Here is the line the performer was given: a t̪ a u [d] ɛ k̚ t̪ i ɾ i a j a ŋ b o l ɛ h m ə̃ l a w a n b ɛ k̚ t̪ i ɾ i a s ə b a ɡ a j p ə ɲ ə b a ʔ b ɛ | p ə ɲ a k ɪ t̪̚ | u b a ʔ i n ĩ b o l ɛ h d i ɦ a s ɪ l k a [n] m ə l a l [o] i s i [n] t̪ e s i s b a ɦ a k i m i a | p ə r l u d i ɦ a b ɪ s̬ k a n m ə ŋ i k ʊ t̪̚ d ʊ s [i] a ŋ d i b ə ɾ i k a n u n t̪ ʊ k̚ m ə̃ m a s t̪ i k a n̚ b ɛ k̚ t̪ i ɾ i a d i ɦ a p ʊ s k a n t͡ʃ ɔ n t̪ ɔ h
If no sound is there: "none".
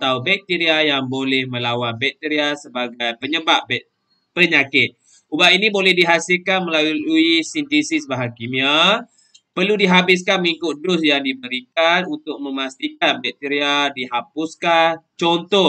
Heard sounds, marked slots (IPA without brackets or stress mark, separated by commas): b, n, u, n, j